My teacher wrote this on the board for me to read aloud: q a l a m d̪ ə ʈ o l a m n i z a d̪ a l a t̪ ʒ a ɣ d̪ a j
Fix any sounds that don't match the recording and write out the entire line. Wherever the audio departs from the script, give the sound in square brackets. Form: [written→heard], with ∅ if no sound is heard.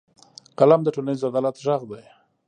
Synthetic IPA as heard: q a l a m d̪ ə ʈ o l a [m→∅] n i z a d̪ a l a t̪ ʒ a ɣ d̪ a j

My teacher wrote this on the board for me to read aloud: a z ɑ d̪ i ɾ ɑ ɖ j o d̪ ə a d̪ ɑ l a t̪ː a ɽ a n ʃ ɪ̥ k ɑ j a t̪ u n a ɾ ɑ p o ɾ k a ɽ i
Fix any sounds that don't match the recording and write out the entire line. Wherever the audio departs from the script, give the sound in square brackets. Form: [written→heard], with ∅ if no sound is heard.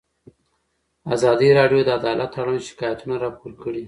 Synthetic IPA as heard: a z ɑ d̪ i ɾ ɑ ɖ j o d̪ ə a d̪ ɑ l a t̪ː a ɽ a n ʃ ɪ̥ k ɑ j a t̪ u n a ɾ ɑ p o ɾ k [a→ə] ɽ i

